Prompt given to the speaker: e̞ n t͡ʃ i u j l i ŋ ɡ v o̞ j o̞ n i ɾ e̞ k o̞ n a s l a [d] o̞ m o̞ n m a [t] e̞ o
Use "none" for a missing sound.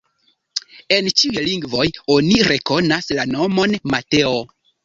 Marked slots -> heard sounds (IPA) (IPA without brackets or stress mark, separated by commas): n, t